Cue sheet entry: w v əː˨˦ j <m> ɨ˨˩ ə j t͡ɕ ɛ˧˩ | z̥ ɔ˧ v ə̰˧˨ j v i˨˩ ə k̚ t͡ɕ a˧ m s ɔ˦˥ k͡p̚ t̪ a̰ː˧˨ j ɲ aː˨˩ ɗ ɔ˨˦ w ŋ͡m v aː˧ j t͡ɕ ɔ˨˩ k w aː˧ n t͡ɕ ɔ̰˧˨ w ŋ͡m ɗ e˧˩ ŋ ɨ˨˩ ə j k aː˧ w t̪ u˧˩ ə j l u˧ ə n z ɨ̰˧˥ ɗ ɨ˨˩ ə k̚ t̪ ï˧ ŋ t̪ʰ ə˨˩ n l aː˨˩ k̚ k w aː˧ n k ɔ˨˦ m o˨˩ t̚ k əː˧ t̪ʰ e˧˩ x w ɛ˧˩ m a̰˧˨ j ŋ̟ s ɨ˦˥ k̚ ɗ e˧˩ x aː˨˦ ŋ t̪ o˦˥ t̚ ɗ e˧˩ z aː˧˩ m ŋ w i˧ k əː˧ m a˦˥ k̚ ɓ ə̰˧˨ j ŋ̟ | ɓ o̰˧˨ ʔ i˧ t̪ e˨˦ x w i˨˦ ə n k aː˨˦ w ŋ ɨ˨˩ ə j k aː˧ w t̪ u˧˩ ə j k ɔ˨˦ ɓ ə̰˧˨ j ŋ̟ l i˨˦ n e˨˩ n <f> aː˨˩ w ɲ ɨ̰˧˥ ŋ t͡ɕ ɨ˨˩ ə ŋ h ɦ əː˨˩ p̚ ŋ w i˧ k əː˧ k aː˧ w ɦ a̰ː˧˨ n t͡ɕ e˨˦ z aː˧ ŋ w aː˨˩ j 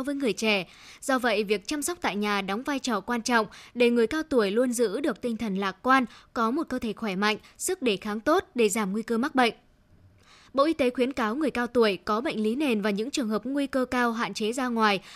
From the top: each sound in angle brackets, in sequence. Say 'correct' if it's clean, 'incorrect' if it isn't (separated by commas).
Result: incorrect, incorrect